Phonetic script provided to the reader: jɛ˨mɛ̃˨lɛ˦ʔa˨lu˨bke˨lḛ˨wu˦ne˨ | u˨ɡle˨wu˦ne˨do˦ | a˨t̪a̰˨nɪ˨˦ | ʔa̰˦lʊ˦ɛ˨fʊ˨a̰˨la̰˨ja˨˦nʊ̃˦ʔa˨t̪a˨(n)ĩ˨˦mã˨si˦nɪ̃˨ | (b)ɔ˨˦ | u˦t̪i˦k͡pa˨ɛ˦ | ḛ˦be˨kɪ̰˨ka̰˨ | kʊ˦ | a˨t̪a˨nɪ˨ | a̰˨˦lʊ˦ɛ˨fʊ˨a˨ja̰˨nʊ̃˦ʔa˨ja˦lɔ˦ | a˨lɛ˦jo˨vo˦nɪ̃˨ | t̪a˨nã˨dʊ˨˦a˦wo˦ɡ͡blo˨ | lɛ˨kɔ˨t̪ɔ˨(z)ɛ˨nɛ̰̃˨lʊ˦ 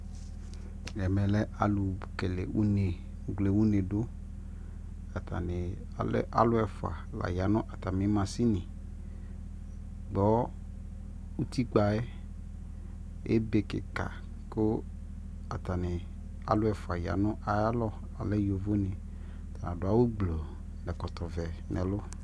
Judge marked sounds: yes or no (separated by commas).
no, no, no